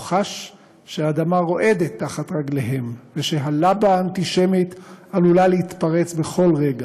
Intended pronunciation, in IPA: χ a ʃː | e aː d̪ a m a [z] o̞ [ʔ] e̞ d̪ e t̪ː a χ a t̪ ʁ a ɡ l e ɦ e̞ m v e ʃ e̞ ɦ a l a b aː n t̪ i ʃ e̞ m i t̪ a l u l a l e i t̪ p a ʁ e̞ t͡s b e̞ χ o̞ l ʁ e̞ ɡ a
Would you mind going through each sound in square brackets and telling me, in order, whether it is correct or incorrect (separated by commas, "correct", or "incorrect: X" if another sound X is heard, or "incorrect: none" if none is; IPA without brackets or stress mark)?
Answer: incorrect: ʁ, correct